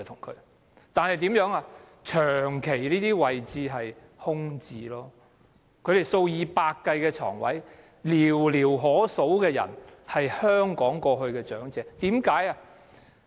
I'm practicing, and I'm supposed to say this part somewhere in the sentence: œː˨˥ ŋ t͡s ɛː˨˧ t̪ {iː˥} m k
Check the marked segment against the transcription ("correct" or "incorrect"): incorrect